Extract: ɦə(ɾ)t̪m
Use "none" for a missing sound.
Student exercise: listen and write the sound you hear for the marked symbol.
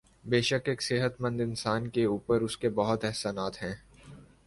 none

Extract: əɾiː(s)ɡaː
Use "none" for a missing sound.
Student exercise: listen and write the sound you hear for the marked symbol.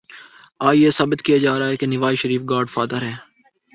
f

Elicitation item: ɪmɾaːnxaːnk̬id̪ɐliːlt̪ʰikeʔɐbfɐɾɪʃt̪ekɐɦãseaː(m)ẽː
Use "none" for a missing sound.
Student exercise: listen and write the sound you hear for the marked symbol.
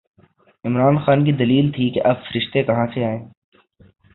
none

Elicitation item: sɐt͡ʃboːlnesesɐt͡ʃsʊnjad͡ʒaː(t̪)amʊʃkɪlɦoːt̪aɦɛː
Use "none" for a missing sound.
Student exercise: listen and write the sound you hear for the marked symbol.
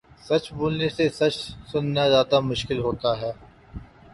t̪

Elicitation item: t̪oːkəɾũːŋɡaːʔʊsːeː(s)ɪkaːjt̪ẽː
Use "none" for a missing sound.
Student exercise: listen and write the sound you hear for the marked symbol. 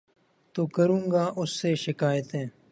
ʃ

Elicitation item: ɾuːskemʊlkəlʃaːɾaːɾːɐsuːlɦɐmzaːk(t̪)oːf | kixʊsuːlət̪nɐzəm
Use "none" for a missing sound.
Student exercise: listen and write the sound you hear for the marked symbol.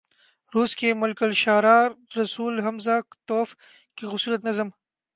t̪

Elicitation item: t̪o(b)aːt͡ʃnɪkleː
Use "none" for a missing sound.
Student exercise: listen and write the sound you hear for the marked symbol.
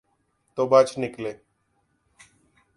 b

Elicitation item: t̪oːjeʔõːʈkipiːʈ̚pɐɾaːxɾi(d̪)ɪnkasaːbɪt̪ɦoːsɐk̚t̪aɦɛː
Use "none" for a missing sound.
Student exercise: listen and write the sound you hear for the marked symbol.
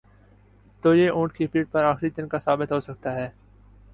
d̪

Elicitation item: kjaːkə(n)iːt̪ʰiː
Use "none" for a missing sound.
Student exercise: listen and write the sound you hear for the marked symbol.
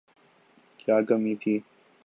m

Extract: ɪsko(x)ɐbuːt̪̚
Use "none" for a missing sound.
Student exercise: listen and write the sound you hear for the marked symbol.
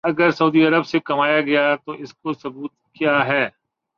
s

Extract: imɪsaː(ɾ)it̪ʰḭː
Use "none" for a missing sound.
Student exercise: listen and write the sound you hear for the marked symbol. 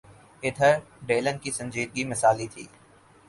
l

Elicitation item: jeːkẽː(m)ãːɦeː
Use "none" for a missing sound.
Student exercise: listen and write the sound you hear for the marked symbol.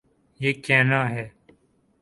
n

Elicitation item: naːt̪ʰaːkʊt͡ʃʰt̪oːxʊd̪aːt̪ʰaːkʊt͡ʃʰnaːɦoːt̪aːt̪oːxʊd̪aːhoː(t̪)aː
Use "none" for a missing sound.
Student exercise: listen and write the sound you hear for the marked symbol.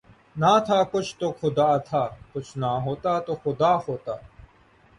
t̪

